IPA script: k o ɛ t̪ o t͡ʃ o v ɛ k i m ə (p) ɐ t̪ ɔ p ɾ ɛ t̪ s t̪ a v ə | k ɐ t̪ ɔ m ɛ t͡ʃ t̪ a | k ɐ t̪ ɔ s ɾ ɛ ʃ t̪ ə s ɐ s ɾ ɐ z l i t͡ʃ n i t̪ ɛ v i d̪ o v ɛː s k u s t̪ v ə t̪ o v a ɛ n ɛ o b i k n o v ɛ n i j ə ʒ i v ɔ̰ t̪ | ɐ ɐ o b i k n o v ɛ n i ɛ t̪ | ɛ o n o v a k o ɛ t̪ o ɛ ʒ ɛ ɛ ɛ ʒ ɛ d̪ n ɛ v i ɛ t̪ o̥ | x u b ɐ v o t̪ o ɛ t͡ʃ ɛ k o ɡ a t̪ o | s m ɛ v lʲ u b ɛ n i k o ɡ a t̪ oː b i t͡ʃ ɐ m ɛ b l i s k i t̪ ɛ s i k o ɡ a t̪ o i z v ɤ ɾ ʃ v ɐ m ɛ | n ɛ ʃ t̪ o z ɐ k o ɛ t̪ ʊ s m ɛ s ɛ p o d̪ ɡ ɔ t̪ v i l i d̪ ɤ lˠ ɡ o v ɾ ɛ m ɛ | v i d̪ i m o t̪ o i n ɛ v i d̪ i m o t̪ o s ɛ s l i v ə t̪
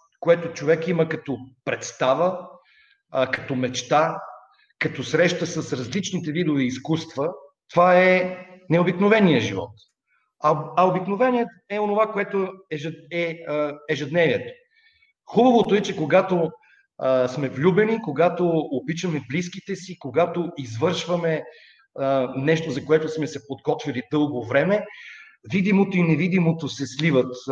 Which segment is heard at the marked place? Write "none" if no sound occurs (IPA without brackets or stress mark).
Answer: k